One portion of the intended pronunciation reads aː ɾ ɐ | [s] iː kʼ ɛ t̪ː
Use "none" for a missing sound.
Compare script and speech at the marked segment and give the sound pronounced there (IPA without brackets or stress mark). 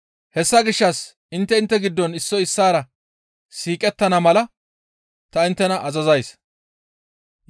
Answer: s